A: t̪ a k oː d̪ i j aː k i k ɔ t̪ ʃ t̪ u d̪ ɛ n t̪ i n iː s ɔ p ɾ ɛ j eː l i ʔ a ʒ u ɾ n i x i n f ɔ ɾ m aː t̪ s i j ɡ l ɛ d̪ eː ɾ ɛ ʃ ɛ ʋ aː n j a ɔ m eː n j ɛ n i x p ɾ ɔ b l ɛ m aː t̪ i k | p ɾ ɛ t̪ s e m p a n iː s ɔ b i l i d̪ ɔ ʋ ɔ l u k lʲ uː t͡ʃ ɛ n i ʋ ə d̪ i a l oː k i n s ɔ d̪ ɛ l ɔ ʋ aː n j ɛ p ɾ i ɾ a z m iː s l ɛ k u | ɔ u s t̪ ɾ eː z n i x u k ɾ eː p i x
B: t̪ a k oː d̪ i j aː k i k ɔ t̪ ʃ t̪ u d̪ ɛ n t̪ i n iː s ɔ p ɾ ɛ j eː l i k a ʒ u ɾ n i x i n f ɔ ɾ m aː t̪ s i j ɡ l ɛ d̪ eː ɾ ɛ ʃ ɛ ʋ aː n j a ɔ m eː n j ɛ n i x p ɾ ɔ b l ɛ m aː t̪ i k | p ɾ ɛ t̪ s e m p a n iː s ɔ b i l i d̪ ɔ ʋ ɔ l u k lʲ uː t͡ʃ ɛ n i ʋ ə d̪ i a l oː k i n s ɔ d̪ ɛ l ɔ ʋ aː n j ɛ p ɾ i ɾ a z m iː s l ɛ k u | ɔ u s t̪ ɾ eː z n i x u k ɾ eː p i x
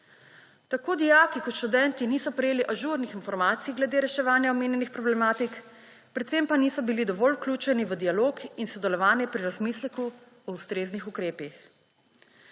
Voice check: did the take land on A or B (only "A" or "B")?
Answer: A